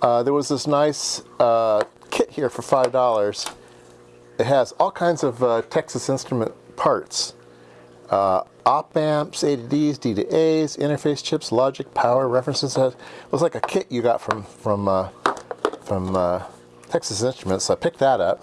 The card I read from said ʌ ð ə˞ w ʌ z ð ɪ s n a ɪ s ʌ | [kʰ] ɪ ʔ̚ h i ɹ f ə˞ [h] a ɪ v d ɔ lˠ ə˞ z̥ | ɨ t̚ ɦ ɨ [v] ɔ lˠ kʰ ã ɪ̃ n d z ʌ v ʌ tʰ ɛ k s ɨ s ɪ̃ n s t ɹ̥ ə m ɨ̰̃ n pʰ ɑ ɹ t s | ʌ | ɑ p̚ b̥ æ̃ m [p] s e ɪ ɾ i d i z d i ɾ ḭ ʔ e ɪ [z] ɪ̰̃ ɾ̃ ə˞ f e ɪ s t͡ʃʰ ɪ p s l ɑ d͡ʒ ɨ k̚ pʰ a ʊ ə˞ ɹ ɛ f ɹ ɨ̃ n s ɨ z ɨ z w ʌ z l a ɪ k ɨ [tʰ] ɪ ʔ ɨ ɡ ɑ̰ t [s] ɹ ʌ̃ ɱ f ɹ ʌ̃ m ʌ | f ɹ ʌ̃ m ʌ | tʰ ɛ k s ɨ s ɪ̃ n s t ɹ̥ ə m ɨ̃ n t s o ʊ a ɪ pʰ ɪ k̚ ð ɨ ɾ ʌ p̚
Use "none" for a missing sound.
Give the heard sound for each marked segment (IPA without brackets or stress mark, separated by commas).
kʰ, f, z, p, z, kʰ, f